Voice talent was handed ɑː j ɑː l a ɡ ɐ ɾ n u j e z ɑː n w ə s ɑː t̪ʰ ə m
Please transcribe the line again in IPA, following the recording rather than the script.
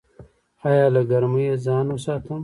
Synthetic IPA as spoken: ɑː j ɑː l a ɡ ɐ ɾ m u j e z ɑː n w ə s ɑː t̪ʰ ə m